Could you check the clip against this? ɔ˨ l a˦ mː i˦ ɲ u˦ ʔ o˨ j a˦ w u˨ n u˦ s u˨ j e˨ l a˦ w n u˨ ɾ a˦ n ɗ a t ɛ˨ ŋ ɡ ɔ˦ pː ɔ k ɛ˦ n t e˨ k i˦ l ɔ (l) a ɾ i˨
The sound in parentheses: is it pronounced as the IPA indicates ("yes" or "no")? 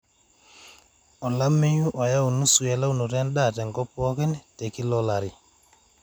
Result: yes